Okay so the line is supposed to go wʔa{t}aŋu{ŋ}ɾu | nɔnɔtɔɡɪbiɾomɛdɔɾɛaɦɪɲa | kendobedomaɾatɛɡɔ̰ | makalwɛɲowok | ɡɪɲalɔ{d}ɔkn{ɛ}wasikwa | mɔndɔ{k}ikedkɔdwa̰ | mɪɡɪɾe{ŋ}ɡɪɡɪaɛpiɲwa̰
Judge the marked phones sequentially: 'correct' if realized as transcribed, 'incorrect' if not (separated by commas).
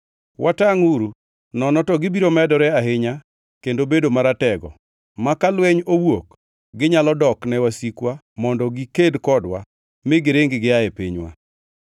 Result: correct, incorrect, correct, correct, incorrect, correct